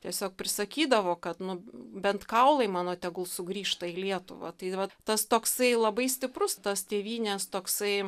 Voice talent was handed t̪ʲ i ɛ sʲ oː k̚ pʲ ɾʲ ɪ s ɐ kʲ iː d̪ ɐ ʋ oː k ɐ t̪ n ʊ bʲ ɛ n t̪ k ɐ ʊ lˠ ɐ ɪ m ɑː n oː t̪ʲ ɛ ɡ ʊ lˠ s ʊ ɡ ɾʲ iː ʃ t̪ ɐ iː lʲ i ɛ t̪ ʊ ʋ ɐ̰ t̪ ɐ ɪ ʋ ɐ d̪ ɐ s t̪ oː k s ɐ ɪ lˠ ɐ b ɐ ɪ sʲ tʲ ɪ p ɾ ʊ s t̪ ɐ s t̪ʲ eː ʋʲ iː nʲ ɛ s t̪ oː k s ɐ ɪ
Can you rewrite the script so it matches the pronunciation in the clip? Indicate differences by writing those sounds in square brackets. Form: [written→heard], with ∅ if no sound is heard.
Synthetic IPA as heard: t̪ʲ i ɛ sʲ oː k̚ pʲ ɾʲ ɪ s ɐ kʲ iː d̪ ɐ ʋ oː k ɐ t̪ n ʊ bʲ ɛ n t̪ k ɐ ʊ lˠ ɐ ɪ m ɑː n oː t̪ʲ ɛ ɡ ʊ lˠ s ʊ ɡ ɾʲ iː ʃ t̪ ɐ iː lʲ i ɛ t̪ ʊ ʋ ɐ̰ t̪ ɐ ɪ ʋ ɐ [d̪→t̪] ɐ s t̪ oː k s ɐ ɪ lˠ ɐ b ɐ ɪ sʲ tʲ ɪ p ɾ ʊ s t̪ ɐ s t̪ʲ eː ʋʲ iː nʲ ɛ s t̪ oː k s ɐ ɪ